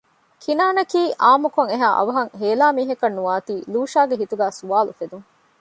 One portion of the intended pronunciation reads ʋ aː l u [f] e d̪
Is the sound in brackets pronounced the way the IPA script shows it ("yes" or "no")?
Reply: yes